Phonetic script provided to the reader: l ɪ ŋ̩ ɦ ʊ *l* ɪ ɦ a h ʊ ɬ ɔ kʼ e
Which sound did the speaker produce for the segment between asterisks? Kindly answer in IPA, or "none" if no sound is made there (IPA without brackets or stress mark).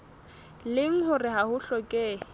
r